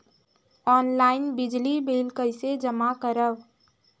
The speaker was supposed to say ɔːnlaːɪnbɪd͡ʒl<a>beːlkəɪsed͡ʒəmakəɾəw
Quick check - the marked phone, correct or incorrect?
incorrect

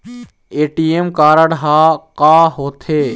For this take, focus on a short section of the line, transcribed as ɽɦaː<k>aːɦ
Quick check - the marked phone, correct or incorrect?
correct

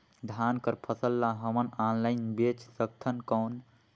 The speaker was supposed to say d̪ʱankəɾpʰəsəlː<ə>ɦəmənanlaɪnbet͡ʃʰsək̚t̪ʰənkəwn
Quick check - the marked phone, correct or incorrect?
incorrect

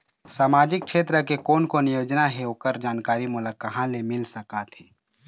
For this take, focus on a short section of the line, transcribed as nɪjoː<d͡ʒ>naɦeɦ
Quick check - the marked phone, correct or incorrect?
correct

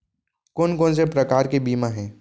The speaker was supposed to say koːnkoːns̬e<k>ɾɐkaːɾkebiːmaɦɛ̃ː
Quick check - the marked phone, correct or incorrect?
incorrect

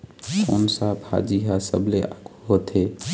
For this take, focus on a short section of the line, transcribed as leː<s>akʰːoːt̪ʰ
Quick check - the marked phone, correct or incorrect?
incorrect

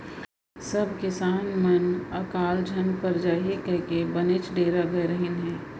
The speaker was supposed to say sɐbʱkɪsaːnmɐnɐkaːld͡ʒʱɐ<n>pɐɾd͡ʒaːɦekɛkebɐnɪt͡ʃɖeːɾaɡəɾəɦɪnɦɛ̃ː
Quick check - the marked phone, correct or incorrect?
correct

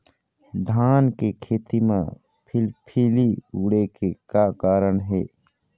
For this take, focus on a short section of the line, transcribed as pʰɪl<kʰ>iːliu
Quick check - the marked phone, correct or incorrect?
incorrect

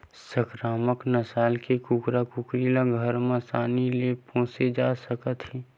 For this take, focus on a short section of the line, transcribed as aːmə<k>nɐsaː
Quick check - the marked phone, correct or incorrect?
correct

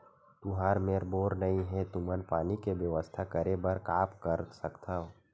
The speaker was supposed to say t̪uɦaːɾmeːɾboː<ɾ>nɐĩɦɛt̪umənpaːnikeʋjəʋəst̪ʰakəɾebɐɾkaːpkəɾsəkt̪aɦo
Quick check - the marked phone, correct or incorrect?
correct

